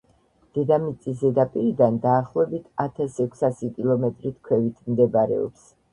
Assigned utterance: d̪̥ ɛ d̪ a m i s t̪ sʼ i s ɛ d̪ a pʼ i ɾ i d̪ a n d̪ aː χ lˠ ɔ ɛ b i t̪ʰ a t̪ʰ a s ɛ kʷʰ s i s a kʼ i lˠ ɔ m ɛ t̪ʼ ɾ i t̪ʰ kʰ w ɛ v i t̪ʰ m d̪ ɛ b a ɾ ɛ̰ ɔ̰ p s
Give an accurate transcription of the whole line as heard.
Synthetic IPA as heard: d̪̥ ɛ d̪ a m i t̪ sʼ i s ɛ d̪ a pʼ i ɾ i d̪ a n d̪ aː χ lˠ ɔ ɛ b i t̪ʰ a t̪ʰ a s ɛ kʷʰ s a s i kʼ i lˠ ɔ m ɛ t̪ʼ ɾ i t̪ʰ kʰ w ɛ v i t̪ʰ m d̪ ɛ b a ɾ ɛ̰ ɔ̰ p s